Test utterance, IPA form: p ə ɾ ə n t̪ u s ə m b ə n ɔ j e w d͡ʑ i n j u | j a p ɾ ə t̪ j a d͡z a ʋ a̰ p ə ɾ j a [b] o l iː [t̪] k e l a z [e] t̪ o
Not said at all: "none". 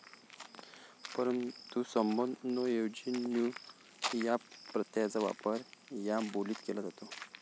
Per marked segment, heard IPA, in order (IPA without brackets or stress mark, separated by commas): b, t̪, a